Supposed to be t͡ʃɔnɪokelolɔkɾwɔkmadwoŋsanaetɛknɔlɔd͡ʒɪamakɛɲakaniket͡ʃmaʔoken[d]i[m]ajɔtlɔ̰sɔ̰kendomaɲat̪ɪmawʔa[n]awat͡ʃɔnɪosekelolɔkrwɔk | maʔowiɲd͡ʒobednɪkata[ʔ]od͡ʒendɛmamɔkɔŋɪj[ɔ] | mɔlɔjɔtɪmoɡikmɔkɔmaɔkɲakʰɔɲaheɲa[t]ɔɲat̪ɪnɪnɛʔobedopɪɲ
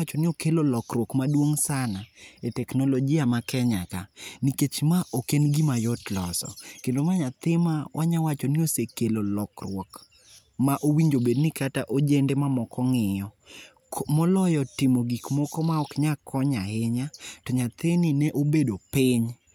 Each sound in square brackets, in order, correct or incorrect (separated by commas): incorrect, correct, incorrect, correct, correct, correct